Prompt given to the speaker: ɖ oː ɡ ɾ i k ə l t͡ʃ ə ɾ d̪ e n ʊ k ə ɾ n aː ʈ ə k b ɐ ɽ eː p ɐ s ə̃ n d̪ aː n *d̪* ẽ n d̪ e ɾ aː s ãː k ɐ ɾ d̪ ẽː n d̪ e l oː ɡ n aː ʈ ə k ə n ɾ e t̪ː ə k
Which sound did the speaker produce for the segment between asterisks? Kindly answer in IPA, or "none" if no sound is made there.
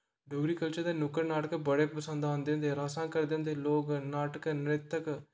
d̪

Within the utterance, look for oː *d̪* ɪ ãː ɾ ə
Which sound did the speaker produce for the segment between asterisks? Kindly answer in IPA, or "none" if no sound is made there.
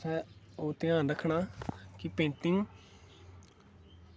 t̪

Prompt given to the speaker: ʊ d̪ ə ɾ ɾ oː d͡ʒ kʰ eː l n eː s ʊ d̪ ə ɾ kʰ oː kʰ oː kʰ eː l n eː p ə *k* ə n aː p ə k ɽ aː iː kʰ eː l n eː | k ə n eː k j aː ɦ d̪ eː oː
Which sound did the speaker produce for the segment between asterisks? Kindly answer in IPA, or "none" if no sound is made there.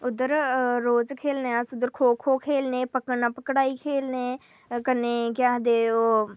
k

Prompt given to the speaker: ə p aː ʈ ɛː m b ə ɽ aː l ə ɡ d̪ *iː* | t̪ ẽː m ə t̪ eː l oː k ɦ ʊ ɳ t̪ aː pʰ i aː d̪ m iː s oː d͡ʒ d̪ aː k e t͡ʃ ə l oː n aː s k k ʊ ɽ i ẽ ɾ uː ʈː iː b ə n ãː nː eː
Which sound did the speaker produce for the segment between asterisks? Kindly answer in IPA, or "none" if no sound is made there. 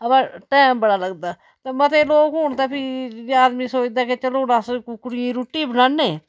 aː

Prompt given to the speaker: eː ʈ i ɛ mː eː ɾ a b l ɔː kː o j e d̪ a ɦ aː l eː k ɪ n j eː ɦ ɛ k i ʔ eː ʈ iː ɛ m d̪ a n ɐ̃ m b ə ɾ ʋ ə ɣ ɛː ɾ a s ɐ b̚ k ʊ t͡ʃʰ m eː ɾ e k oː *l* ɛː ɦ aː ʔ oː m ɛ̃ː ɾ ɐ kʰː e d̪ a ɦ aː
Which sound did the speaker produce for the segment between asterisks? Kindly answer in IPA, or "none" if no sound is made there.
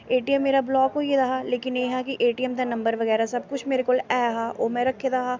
l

